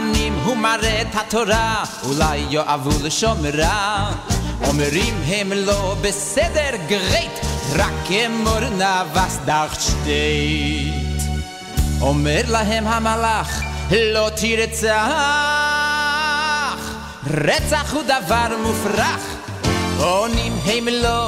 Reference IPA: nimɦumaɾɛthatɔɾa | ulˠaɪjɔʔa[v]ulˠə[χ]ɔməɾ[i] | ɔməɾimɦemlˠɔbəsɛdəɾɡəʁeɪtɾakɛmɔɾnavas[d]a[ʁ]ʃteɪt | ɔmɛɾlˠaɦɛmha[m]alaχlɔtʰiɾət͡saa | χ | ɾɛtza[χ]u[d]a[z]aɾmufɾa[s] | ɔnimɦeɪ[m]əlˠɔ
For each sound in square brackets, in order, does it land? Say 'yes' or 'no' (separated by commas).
yes, no, no, yes, no, yes, yes, yes, no, no, yes